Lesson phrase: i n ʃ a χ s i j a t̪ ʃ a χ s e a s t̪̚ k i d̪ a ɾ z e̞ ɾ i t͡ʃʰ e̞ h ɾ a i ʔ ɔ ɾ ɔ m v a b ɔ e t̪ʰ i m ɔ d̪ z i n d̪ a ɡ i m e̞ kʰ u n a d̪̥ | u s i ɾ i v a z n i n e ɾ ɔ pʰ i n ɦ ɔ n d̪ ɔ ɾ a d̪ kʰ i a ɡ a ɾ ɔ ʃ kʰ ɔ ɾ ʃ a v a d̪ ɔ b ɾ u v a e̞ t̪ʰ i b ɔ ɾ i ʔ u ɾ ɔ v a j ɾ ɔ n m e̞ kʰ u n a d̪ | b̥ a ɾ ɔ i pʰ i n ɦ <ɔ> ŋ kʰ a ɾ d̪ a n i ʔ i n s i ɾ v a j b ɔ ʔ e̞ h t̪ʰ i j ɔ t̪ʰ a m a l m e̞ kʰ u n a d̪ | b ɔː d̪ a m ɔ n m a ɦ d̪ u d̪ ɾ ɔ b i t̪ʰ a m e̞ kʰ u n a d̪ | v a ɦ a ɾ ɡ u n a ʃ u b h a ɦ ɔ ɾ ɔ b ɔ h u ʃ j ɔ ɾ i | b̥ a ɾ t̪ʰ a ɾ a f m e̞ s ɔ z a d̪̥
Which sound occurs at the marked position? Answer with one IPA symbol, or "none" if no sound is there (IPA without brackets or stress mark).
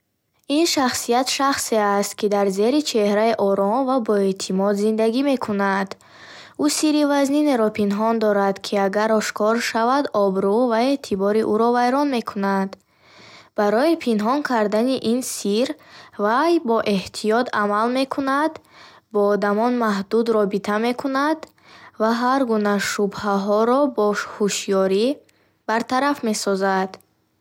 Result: ɔ